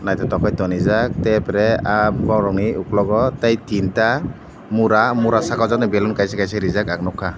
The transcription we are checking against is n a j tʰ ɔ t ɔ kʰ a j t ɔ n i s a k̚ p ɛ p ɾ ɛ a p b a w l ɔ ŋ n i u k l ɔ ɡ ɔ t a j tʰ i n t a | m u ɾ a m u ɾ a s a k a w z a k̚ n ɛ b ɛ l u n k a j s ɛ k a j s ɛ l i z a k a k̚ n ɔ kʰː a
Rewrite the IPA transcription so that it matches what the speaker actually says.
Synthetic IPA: n a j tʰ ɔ t ɔ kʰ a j t ɔ n i z a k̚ t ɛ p ɾ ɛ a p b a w ɾ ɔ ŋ n i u k l ɔ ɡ ɔ t a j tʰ i n t a | m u ɾ a m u ɾ a s a k a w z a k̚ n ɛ b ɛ l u n k a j s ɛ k a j s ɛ ɾ i z a k a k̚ n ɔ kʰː a